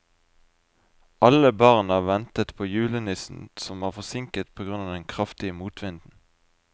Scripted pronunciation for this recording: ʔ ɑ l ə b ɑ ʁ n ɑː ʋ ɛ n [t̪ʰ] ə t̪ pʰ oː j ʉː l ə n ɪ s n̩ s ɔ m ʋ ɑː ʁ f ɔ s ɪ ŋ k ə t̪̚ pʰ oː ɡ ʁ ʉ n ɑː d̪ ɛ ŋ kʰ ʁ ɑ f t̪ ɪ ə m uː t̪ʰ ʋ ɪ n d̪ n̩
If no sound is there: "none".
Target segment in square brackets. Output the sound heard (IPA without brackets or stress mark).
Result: t̪